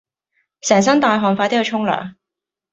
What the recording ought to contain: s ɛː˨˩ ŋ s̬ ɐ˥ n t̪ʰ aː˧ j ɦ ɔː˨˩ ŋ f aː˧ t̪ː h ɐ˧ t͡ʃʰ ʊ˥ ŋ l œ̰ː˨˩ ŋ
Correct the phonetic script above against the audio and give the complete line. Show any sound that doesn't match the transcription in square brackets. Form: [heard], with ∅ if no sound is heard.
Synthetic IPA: s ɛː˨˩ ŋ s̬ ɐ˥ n [t̪] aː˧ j ɦ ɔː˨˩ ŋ f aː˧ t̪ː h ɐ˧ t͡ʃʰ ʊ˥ ŋ l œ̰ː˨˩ ŋ